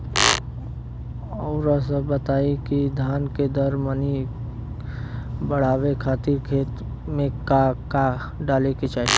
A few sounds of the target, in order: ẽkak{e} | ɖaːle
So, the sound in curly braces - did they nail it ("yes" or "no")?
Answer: no